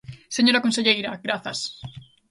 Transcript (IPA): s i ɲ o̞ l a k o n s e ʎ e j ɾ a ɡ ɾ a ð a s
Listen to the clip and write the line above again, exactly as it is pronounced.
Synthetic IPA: s e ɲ o̞ ɾ a k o n s e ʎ e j ɾ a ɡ ɾ a θ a s